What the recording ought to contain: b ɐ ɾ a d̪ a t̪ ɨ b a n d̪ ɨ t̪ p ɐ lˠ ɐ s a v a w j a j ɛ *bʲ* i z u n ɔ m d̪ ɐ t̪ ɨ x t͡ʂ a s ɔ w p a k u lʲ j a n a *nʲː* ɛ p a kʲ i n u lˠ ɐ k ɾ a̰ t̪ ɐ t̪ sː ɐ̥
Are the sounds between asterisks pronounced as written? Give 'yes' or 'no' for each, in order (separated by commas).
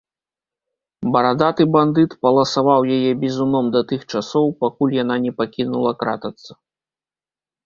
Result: yes, no